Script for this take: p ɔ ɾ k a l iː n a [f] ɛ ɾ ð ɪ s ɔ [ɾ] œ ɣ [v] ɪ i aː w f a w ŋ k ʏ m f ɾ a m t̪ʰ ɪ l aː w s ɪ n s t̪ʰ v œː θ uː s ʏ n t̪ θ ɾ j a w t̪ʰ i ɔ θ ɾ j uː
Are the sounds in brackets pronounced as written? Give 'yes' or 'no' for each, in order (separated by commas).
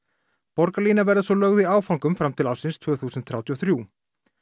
no, no, no